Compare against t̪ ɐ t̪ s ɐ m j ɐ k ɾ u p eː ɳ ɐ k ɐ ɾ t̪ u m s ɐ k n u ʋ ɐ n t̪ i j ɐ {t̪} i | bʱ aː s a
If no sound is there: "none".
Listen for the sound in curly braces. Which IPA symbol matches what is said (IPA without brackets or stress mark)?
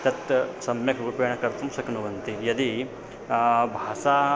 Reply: d̪